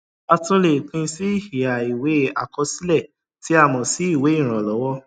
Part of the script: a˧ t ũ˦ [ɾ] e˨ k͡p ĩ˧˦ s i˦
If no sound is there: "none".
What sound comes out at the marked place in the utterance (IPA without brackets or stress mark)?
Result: l